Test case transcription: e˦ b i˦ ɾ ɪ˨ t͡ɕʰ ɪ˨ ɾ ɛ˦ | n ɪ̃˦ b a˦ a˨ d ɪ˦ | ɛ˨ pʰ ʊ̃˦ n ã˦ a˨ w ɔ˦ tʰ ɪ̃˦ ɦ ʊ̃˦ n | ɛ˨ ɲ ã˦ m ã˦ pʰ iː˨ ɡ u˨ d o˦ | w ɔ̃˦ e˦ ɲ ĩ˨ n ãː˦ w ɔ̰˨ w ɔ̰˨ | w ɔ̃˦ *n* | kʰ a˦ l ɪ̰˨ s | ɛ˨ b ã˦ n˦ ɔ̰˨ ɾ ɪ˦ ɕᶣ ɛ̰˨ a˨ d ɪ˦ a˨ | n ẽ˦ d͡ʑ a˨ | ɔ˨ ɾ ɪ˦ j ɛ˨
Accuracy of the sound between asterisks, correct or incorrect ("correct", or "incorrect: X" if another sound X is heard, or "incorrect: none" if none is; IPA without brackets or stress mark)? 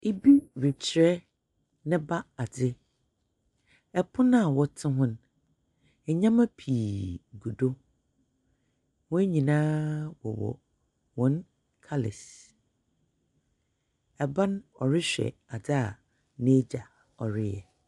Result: correct